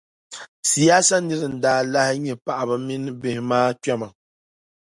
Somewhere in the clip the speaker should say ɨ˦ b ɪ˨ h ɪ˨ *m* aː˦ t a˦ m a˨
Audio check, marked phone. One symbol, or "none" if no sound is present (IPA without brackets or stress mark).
m